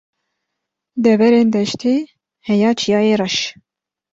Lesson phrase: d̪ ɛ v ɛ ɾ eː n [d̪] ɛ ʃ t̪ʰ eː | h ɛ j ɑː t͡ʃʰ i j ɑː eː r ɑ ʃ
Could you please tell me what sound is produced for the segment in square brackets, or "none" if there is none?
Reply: d̪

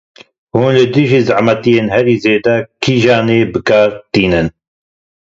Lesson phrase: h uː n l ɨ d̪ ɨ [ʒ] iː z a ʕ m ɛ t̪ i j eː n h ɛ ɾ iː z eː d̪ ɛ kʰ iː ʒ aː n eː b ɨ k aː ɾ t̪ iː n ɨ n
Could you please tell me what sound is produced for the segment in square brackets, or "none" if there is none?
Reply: ʒ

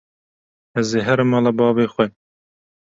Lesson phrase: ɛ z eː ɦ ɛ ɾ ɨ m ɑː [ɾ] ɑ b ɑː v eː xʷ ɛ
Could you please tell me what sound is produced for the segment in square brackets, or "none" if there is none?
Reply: l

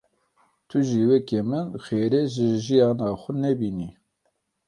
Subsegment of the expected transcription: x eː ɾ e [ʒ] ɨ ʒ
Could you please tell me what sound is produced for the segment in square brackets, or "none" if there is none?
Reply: ʒ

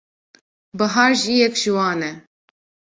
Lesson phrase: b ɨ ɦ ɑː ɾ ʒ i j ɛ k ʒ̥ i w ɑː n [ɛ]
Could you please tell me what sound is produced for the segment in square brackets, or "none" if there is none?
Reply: ɛ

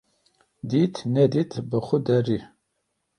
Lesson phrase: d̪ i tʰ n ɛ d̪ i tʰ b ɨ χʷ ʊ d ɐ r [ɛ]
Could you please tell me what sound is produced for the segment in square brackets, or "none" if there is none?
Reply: i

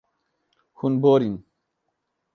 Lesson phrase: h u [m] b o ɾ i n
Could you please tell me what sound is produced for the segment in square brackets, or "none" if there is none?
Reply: n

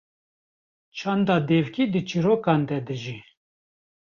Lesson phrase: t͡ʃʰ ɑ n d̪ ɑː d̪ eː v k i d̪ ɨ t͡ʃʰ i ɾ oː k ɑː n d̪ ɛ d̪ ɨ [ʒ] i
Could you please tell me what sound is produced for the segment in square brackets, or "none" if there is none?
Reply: ʒ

